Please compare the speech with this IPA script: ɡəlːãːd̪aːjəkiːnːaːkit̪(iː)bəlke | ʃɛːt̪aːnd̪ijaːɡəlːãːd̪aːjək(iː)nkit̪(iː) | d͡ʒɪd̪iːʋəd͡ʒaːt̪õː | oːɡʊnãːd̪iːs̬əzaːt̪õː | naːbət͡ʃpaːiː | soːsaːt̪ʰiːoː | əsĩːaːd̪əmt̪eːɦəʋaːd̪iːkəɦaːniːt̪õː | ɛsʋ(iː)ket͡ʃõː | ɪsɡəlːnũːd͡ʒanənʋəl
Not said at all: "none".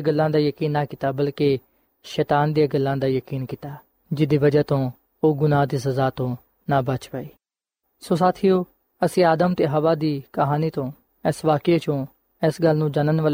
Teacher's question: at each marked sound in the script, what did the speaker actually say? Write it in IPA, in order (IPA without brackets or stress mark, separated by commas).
aː, iː, aː, aː